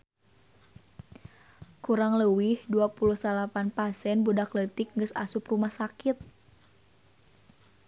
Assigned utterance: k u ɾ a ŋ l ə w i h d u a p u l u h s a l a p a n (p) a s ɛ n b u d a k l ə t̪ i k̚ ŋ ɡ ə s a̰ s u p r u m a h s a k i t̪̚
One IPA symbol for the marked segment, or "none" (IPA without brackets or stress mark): p